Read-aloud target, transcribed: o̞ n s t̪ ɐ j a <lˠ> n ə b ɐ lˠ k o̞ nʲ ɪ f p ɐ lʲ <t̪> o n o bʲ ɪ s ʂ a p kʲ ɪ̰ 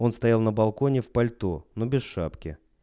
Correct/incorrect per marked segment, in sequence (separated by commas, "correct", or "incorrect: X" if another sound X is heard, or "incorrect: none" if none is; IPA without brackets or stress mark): correct, correct